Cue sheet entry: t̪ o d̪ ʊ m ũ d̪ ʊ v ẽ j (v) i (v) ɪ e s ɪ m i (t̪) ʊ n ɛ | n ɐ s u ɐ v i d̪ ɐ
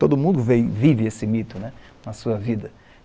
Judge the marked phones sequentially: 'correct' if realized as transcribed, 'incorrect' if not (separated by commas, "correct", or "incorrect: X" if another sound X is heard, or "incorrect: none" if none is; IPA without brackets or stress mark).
correct, correct, correct